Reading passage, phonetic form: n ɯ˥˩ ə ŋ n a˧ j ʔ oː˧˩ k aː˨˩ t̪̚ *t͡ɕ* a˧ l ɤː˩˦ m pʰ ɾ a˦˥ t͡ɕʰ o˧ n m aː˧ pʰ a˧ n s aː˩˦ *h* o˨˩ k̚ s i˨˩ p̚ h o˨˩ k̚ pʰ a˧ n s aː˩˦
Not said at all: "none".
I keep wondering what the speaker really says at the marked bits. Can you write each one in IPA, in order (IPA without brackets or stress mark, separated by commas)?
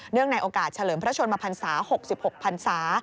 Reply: t͡ɕʰ, h